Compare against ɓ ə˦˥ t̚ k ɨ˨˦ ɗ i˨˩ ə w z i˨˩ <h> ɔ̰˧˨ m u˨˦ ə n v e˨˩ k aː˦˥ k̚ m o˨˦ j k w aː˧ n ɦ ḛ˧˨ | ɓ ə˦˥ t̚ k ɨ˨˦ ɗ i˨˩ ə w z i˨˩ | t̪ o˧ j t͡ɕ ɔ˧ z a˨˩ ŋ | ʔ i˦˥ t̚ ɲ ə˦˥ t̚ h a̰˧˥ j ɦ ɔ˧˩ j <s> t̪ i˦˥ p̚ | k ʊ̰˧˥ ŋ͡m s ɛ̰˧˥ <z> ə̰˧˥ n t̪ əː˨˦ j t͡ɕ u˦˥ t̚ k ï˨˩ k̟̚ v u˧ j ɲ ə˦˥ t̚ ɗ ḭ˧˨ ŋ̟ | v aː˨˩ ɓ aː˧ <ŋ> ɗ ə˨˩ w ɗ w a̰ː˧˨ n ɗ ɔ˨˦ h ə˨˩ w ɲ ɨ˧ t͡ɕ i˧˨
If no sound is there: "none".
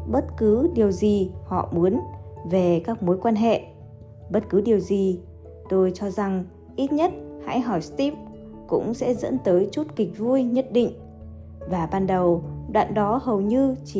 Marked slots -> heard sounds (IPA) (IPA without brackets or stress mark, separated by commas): h, s, z, n